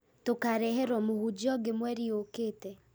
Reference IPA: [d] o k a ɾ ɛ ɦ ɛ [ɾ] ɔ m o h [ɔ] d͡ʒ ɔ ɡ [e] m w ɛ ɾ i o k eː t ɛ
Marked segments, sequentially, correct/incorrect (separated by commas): incorrect, correct, incorrect, correct